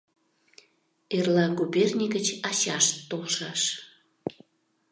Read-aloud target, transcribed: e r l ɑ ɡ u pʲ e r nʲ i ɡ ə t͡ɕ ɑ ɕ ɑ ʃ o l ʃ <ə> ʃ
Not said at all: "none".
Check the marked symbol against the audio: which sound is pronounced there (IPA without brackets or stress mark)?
ɑ